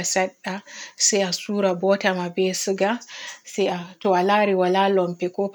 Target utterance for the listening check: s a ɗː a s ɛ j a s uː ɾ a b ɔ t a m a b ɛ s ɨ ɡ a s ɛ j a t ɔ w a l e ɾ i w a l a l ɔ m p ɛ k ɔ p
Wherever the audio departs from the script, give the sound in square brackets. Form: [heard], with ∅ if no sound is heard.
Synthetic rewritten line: s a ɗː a s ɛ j a s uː ɾ a b ɔ t a m a b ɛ s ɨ ɡ a s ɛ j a t ɔ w a l [a] ɾ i w a l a l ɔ m p ɛ k ɔ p